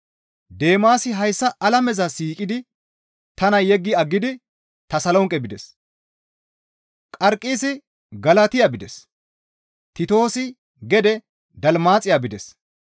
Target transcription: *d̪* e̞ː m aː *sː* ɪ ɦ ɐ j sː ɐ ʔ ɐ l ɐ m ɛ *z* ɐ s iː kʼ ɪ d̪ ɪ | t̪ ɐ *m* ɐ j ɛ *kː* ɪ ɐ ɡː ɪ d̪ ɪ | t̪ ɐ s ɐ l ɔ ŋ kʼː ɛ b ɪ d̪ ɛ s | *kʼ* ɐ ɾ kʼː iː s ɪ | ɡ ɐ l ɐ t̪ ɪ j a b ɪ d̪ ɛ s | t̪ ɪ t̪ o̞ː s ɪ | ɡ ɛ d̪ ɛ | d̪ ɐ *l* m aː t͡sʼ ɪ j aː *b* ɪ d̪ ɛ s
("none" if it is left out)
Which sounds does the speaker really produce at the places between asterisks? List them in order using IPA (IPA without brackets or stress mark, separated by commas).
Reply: d̪, s, z, n, ɡː, kʼ, l, b